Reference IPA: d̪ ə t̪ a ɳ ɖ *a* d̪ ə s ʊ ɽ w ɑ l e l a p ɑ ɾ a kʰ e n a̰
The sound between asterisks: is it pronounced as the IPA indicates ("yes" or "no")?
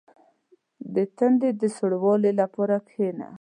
no